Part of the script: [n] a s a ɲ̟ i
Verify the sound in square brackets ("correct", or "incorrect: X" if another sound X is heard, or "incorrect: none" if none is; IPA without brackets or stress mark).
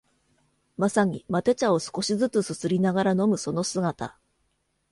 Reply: incorrect: m